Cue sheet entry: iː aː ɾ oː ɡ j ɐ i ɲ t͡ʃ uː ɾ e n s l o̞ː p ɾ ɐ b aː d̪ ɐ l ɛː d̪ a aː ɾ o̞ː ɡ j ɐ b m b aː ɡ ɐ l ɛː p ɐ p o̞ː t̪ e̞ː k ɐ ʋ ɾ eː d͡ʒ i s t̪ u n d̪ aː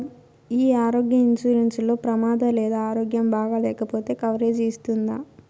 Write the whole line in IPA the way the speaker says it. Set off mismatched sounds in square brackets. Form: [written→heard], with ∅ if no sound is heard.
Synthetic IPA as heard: iː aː ɾ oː ɡ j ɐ i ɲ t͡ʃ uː ɾ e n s l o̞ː p ɾ ɐ [b→m] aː d̪ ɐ l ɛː d̪ a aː ɾ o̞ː ɡ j ɐ [b→∅] m b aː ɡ ɐ l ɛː [p→k] ɐ p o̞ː t̪ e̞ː k ɐ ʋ ɾ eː d͡ʒ i s t̪ u n d̪ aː